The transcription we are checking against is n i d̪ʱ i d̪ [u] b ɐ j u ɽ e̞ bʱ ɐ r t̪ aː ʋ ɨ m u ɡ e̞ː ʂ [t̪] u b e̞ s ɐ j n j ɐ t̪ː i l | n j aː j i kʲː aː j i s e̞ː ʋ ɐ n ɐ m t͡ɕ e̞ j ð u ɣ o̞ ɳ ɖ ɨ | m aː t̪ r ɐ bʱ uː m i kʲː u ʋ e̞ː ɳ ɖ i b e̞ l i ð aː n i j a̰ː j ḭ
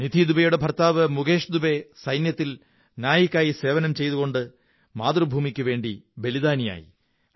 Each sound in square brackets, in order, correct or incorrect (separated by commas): correct, incorrect